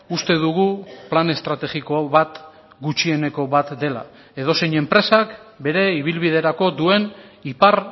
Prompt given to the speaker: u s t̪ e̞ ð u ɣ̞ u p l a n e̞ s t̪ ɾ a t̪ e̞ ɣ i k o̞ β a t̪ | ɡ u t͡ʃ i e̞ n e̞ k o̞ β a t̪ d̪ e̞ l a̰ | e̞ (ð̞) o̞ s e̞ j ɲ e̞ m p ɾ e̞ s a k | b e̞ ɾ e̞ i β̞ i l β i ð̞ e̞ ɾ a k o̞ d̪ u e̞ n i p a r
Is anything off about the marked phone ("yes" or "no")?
no